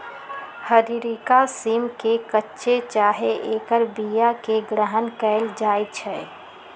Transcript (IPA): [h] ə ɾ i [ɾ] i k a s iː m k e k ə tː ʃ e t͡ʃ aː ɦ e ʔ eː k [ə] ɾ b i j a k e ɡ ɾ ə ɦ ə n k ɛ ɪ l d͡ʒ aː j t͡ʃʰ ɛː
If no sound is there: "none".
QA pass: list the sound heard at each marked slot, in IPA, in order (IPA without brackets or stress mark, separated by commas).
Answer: h, ɾ, ə